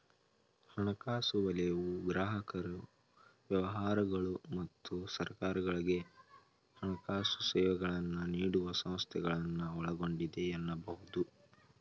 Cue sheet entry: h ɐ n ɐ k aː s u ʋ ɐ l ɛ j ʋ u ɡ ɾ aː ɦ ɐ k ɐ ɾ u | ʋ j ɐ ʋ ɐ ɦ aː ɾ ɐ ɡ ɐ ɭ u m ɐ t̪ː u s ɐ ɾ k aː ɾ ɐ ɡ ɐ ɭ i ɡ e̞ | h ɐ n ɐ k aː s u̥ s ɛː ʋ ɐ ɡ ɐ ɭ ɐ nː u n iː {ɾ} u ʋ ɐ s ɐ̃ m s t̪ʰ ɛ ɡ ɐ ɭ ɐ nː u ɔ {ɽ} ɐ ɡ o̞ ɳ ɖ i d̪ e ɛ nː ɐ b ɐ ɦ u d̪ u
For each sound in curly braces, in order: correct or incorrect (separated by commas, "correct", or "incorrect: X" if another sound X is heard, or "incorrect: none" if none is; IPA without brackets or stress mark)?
incorrect: ɽ, incorrect: ɭ